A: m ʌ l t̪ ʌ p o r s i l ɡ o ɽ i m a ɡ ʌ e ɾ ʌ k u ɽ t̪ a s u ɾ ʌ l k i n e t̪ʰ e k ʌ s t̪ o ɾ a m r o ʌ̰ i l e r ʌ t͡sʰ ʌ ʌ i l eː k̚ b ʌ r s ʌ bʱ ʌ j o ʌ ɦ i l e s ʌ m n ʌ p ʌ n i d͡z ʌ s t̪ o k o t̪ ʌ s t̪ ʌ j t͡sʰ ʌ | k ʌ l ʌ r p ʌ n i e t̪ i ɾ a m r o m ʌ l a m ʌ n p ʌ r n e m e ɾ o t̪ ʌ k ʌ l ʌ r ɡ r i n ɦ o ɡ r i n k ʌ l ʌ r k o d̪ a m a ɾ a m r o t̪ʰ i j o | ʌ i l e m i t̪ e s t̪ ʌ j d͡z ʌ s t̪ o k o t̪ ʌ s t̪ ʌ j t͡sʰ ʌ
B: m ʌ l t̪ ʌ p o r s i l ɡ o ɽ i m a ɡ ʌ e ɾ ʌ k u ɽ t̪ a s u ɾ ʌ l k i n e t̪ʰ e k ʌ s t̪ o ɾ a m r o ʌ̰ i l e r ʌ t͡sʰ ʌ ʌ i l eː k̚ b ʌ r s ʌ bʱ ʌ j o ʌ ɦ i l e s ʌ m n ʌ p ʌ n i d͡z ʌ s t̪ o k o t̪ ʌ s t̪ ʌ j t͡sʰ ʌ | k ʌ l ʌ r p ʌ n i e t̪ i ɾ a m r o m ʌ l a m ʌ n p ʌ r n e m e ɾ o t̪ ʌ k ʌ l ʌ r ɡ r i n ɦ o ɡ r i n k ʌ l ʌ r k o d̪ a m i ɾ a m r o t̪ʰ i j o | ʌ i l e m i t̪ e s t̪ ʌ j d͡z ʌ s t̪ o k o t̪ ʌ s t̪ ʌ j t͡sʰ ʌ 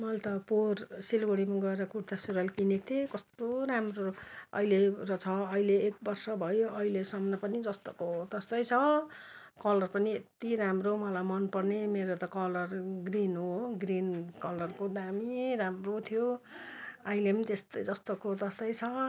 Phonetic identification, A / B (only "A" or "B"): B